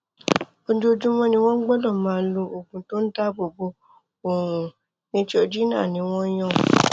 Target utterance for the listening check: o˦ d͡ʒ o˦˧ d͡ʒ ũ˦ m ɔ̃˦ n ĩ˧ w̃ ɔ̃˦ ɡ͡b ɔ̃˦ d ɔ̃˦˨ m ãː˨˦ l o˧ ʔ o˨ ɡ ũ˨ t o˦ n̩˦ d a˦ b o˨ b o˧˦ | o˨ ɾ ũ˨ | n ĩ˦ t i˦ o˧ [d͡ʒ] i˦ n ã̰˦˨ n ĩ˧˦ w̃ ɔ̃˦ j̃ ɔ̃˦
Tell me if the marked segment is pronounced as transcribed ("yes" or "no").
yes